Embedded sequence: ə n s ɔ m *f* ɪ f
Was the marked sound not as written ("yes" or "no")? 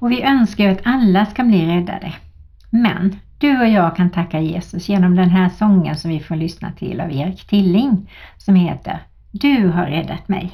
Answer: yes